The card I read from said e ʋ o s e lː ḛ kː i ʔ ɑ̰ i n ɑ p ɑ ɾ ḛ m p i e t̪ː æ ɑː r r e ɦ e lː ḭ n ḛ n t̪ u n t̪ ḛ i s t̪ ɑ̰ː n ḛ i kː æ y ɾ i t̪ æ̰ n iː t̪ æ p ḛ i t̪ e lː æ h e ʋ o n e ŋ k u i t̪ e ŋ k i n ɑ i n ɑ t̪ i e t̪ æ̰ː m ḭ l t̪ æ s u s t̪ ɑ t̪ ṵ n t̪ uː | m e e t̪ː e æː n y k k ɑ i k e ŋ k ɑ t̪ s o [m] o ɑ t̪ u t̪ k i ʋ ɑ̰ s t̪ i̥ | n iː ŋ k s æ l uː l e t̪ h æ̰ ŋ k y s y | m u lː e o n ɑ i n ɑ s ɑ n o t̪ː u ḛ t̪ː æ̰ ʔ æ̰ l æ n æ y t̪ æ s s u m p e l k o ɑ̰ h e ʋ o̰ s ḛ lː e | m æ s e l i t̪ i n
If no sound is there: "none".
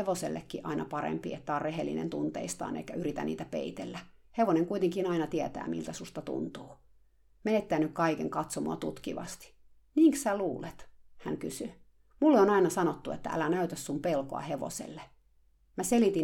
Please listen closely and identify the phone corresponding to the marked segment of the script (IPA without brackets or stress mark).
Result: m